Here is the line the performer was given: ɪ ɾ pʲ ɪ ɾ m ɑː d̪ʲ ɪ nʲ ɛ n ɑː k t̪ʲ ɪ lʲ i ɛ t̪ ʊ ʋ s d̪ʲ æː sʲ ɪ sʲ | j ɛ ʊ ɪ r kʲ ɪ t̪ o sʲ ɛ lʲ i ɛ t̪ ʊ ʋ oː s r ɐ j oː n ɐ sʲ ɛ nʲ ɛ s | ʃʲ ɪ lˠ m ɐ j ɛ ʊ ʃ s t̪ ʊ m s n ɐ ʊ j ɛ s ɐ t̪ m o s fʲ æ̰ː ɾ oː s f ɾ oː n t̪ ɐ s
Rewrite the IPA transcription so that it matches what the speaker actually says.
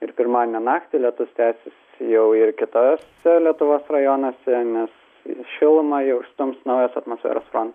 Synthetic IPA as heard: ɪ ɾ pʲ ɪ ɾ m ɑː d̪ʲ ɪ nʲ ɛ n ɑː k t̪ʲ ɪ lʲ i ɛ t̪ ʊ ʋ s t̪ʲ æː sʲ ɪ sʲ | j ɛ ʊ ɪ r kʲ ɪ t̪ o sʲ ɛ lʲ i ɛ t̪ ʊ ʋ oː s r ɐ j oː n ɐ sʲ ɛ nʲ ɛ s | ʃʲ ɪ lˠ m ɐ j ɛ ʊ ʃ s t̪ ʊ m s n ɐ ʊ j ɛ s ɐ t̪ m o s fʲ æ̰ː ɾ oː s f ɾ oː n t̪ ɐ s

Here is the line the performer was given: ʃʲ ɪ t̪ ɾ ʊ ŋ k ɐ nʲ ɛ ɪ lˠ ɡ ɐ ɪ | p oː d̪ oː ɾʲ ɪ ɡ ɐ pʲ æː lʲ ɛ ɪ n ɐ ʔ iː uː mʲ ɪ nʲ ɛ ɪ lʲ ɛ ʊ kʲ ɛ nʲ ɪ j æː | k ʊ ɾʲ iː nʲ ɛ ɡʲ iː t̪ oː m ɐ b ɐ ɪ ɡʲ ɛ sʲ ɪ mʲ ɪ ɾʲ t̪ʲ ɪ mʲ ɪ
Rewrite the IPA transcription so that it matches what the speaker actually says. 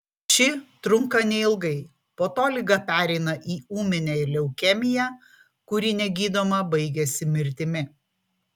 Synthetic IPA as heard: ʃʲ ɪ t̪ ɾ ʊ ŋ k ɐ nʲ ɛ ɪ lˠ ɡ ɐ ɪ | p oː t̪ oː lʲ ɪ ɡ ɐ pʲ æː ɾʲ ɛ ɪ n ɐ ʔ iː uː mʲ ɪ nʲ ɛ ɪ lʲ ɛ ʊ kʲ ɛ mʲ ɪ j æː | k ʊ ɾʲ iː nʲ ɛ ɡʲ iː d̪ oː m ɐ b ɐ ɪ ɡʲ ɛ sʲ ɪ mʲ ɪ ɾʲ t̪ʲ ɪ mʲ ɪ

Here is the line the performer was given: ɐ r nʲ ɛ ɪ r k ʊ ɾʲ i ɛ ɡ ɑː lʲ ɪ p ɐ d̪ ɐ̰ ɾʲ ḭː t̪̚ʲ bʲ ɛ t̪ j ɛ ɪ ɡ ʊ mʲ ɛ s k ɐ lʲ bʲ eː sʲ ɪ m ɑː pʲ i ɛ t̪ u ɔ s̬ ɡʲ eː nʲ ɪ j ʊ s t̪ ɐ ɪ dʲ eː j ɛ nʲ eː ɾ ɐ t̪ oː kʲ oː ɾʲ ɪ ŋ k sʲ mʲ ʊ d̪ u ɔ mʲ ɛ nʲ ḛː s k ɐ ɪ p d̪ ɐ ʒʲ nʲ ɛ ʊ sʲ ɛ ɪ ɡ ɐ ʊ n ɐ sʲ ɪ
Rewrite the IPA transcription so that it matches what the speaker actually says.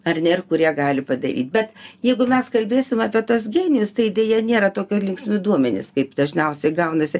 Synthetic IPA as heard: ɐ r nʲ ɛ ɪ r k ʊ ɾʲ i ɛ ɡ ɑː lʲ ɪ p ɐ d̪ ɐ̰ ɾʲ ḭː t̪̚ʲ bʲ ɛ t̪ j ɛ ɪ ɡ ʊ mʲ ɛ s k ɐ lʲ bʲ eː sʲ ɪ m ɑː pʲ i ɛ t̪ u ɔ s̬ ɡʲ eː nʲ ɪ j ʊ s t̪ ɐ ɪ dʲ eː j ɛ nʲ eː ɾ ɐ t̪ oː kʲ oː lʲ ɪ ŋ k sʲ mʲ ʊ d̪ u ɔ mʲ ɛ nʲ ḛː s k ɐ ɪ p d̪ ɐ ʒʲ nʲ ɛ ʊ sʲ ɛ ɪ ɡ ɐ ʊ n ɐ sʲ ɪ

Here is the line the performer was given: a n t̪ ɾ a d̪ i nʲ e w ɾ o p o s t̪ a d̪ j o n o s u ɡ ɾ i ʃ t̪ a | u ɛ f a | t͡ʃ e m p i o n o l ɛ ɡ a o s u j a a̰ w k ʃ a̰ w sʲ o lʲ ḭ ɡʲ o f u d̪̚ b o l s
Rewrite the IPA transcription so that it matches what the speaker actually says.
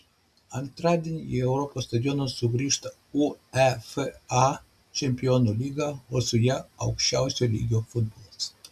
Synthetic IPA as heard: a n t̪ ɾ a d̪ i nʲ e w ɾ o p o s t̪ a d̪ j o n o s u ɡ ɾ i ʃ t̪ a | u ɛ f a | t͡ʃ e m p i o n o l i ɡ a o s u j a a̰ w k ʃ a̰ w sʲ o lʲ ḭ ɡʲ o f u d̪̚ b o l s

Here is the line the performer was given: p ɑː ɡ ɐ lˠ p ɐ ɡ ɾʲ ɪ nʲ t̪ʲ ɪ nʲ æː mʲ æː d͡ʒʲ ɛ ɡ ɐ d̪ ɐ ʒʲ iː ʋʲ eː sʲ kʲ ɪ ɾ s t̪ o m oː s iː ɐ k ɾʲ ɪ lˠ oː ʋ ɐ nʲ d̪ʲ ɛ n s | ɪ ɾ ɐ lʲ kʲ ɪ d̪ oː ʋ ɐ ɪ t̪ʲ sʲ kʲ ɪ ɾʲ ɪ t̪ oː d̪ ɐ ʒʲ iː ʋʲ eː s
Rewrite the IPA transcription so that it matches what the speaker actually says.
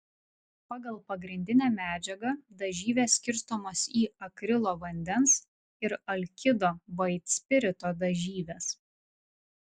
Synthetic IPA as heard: p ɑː ɡ ɐ lˠ p ɐ ɡ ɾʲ ɪ nʲ d̪ʲ ɪ nʲ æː mʲ æː d͡ʒʲ ɛ ɡ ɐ d̪ ɐ ʒʲ iː ʋʲ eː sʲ kʲ ɪ ɾ s t̪ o m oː s iː ɐ k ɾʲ ɪ lˠ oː ʋ ɐ nʲ d̪ʲ ɛ n s | ɪ ɾ ɐ lʲ kʲ ɪ d̪ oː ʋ ɐ ɪ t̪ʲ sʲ pʲ ɪ ɾʲ ɪ t̪ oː d̪ ɐ ʒʲ iː ʋʲ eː s

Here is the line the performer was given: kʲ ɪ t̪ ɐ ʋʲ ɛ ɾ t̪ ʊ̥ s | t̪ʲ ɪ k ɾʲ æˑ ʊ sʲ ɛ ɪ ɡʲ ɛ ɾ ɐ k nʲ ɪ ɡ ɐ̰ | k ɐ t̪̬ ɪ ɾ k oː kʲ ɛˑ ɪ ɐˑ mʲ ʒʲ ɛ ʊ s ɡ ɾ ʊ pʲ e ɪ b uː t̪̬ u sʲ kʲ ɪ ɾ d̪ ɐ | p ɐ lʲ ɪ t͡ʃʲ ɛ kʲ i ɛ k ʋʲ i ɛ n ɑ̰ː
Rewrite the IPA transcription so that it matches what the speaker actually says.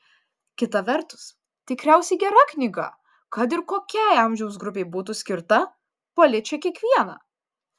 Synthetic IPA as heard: kʲ ɪ t̪ ɐ ʋʲ ɛ ɾ t̪ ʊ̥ s | t̪ʲ ɪ k ɾʲ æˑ ʊ sʲ ɛ ɪ ɡʲ ɛ ɾ ɐ k nʲ ɪ ɡ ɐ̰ | k ɐ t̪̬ ɪ ɾ k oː kʲ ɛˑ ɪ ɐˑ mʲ ʒʲ ɛ ʊ s ɡ ɾ ʊ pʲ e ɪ b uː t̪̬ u sʲ kʲ ɪ ɾ t̪ ɐ | p ɐ lʲ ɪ t͡ʃʲ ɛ kʲ i ɛ k ʋʲ i ɛ n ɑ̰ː

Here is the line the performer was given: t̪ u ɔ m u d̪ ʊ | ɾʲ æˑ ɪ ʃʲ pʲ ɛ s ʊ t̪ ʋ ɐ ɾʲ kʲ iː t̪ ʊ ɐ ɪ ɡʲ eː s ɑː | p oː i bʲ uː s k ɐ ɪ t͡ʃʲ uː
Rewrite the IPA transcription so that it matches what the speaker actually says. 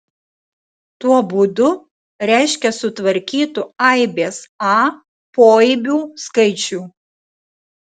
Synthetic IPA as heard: t̪ u ɔ b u d̪ ʊ | ɾʲ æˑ ɪ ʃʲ kʲ ɛ s ʊ t̪ ʋ ɐ ɾʲ kʲ iː t̪ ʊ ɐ ɪ bʲ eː s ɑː | p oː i bʲ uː s k ɐ ɪ t͡ʃʲ uː

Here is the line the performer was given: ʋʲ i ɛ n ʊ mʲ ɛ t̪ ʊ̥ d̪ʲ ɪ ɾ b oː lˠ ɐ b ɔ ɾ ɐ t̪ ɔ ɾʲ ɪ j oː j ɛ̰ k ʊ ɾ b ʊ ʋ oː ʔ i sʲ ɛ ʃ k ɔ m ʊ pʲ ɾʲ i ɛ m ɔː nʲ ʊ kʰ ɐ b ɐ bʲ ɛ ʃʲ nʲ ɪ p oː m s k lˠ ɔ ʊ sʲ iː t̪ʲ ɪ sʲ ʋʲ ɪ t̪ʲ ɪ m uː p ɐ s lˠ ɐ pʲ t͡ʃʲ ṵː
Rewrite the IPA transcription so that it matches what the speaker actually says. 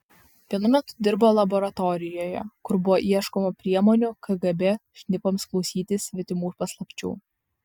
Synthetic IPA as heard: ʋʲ i ɛ n ʊ mʲ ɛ t̪ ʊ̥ d̪ʲ ɪ ɾ b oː lˠ ɐ b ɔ ɾ ɐ t̪ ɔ ɾʲ ɪ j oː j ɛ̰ k ʊ ɾ b ʊ ʋ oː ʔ i ɛ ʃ k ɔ m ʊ pʲ ɾʲ i ɛ m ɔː nʲ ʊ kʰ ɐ ɡ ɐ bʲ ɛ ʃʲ nʲ ɪ p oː m s k lˠ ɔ ʊ sʲ iː t̪ʲ ɪ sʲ ʋʲ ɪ t̪ʲ ɪ m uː p ɐ s lˠ ɐ pʲ t͡ʃʲ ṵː

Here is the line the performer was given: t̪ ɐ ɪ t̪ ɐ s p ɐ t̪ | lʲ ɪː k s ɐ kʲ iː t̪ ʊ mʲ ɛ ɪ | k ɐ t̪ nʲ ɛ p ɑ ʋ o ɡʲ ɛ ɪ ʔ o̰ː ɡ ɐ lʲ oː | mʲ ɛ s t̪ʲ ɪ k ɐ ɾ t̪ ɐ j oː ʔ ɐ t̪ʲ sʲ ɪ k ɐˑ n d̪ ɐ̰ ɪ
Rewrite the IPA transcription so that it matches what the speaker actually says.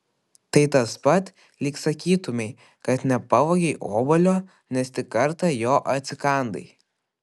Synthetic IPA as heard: t̪ ɐ ɪ t̪ ɐ s p ɐ t̪ | lʲ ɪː k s ɐ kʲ iː t̪ ʊ mʲ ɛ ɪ | k ɐ t̪ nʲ ɛ p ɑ ʋ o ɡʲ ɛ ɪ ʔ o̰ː b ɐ lʲ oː | nʲ ɛ s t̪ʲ ɪ k ɐ ɾ t̪ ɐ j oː ʔ ɐ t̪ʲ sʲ ɪ k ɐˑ n d̪ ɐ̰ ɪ

